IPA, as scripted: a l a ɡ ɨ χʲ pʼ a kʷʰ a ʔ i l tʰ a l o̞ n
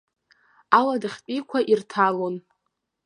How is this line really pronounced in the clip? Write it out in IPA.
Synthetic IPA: a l a d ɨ χʲ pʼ i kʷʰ a ʔ i r tʰ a l o̞ n